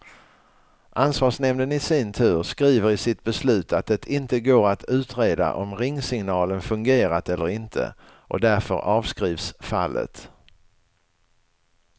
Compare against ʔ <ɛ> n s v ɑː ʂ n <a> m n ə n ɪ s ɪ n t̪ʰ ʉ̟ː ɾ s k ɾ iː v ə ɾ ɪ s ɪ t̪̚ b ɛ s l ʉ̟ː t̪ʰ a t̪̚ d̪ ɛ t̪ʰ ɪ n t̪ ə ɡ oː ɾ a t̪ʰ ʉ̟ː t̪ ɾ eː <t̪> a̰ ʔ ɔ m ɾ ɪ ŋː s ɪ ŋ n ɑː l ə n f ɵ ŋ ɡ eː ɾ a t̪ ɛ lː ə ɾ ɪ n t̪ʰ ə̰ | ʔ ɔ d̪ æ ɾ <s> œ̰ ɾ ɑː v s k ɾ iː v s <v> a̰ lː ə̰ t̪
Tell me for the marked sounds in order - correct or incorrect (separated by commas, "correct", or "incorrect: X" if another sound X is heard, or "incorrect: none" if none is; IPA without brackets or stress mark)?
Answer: incorrect: a, incorrect: ɛ, incorrect: d̪, incorrect: f, incorrect: f